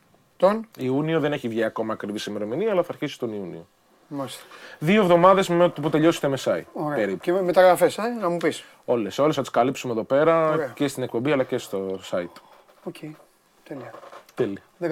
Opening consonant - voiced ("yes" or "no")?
no